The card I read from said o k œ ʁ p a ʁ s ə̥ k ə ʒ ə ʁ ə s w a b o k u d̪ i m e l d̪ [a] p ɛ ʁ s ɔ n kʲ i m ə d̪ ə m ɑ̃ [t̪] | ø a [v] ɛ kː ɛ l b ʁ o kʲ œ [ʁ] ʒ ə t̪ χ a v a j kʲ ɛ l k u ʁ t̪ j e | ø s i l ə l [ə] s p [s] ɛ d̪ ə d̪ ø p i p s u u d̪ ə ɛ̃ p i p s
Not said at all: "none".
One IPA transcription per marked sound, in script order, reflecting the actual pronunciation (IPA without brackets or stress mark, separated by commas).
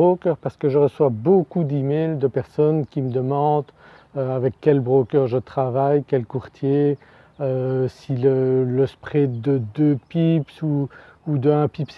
ə, d̪, v, ʁ, ə, χ